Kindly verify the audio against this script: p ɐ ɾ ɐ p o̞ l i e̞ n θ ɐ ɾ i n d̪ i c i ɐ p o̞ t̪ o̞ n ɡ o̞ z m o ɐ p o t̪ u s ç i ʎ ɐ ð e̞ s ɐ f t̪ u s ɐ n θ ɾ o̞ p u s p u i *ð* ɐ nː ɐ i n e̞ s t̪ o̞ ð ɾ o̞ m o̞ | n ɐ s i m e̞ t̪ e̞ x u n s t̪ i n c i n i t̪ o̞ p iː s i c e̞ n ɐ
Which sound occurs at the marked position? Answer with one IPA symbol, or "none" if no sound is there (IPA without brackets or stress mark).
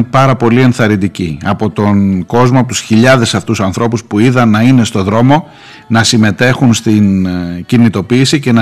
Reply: ð